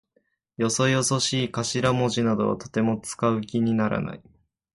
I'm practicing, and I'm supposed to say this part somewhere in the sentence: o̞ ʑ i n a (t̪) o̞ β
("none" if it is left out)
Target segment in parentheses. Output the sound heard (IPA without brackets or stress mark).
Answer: d̪